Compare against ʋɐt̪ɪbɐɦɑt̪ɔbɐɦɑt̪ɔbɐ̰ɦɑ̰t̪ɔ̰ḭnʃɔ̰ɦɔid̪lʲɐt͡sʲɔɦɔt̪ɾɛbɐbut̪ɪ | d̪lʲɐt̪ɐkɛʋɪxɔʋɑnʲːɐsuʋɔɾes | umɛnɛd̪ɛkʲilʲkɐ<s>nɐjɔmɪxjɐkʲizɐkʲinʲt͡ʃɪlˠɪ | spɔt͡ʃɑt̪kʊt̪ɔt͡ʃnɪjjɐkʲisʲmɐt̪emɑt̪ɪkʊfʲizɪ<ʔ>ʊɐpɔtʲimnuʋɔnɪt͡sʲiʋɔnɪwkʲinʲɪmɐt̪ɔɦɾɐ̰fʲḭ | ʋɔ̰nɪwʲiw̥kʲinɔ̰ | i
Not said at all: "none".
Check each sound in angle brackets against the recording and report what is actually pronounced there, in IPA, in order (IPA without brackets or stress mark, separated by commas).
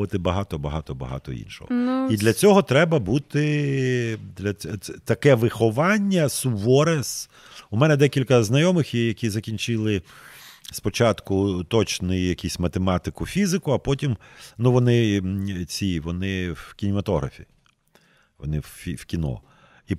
z, k